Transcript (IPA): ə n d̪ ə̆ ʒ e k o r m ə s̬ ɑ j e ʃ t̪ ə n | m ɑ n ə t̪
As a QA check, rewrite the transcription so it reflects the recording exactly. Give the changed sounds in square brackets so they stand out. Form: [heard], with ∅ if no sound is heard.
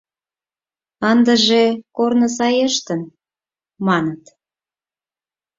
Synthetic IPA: ə n d̪ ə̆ ʒ e k o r [n] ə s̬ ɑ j e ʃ t̪ ə n | m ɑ n ə t̪